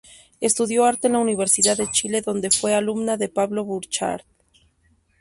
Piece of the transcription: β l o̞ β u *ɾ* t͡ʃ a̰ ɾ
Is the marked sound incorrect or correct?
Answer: correct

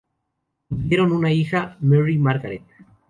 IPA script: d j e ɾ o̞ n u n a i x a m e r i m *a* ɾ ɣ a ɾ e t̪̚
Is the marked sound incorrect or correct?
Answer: correct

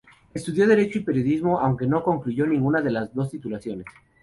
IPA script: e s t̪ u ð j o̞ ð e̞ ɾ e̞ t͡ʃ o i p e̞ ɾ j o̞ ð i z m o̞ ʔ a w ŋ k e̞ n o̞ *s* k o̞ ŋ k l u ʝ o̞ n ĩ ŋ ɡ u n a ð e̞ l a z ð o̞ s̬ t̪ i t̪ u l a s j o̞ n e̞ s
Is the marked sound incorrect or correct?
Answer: incorrect: none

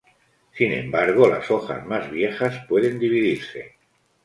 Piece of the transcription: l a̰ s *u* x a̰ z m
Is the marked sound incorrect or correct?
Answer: incorrect: o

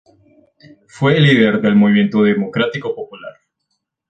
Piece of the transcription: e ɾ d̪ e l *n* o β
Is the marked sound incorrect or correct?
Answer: incorrect: m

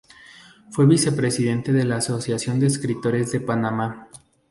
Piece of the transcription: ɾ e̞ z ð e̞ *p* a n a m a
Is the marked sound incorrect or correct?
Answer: correct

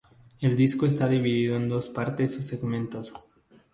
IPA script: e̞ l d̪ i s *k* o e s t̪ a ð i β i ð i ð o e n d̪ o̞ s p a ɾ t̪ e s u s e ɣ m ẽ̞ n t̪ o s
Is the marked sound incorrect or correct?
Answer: correct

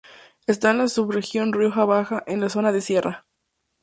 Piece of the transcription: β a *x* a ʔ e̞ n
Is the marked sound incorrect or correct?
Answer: correct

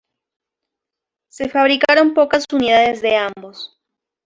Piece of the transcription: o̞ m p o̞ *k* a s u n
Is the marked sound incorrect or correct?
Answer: correct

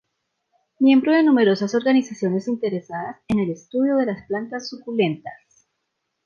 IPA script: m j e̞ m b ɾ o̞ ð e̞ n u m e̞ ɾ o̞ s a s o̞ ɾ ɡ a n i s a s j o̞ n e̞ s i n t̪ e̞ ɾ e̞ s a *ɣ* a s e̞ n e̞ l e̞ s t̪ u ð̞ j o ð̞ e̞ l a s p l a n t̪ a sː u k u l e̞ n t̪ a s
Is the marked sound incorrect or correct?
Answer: incorrect: ð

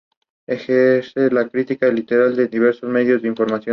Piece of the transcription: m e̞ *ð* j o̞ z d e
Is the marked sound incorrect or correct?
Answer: correct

